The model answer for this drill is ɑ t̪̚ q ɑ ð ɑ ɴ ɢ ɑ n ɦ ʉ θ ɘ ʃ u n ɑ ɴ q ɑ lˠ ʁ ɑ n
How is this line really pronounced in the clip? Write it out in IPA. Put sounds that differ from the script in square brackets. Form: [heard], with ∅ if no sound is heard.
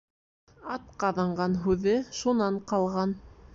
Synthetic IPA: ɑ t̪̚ q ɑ ð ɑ ɴ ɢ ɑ n ɦ ʉ [ð] ɘ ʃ u n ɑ ɴ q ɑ lˠ ʁ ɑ n